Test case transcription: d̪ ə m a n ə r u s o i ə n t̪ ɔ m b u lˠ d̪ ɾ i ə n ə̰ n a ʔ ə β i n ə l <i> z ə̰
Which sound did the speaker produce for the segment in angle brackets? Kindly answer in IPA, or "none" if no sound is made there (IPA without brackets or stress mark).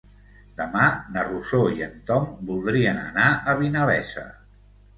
ɛ